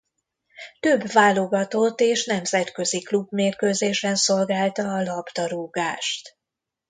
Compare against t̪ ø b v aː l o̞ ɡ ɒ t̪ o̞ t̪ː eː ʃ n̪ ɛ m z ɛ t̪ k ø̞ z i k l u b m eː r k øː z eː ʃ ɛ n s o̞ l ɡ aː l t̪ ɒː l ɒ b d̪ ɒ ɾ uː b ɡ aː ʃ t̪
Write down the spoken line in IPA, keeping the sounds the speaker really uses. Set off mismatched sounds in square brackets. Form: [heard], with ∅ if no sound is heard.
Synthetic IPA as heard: t̪ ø b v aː l o̞ ɡ ɒ t̪ o̞ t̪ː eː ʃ n̪ ɛ m z ɛ t̪ k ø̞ z i k l u b m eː r k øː z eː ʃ ɛ n s o̞ l ɡ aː l t̪ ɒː l ɒ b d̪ ɒ ɾ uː [∅] ɡ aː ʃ t̪